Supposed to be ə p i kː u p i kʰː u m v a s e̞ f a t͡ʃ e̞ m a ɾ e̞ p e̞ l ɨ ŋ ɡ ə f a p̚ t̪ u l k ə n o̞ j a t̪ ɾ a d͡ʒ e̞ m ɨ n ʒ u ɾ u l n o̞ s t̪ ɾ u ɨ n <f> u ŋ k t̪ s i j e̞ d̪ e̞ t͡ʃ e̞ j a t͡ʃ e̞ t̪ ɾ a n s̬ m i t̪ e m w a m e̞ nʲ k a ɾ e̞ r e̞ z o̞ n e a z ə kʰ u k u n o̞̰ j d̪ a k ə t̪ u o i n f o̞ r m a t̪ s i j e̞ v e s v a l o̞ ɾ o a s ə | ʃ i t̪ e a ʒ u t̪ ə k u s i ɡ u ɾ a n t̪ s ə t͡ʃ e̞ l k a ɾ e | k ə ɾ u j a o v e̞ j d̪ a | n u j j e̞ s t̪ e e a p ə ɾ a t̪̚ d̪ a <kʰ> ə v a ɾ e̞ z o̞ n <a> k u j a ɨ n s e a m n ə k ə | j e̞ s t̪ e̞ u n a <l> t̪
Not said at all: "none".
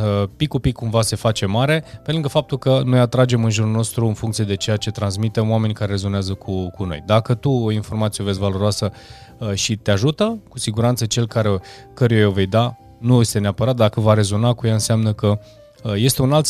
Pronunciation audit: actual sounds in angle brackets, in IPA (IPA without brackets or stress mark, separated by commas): f, k, a, l